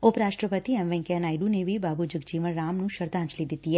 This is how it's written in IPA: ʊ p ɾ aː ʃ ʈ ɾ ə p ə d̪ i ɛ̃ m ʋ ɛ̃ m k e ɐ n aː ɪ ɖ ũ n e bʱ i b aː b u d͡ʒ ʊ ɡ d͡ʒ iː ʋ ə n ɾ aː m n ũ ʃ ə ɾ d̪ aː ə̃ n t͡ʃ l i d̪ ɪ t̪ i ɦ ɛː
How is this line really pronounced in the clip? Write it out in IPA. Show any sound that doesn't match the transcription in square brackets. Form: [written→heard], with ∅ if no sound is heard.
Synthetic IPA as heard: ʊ p ɾ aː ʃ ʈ ɾ ə p ə [d̪→t̪] i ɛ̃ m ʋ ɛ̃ [m→ŋ] k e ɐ n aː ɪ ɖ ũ n e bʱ i b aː b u d͡ʒ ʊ ɡ d͡ʒ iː ʋ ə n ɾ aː m n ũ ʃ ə ɾ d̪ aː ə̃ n t͡ʃ l i d̪ ɪ t̪ i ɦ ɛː